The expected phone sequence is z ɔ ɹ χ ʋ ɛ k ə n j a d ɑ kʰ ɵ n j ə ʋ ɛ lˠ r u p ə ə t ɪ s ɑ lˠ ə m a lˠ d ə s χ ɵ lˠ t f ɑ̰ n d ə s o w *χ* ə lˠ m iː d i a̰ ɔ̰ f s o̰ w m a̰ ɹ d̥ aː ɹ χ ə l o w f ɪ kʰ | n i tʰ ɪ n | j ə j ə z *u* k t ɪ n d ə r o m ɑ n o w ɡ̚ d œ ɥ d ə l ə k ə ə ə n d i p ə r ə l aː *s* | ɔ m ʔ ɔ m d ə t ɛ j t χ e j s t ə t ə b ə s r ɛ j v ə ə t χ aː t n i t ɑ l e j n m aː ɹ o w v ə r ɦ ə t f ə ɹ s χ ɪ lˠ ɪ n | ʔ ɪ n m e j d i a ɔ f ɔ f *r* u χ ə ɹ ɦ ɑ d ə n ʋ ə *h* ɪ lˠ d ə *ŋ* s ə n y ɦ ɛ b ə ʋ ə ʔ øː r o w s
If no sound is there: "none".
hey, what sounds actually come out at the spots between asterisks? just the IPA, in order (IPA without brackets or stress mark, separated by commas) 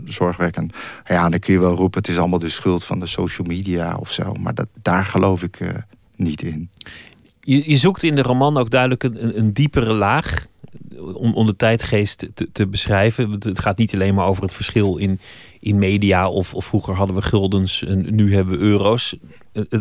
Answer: ʃ, u, χ, r, χ, n